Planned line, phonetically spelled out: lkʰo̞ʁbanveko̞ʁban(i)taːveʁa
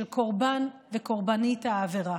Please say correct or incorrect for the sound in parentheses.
correct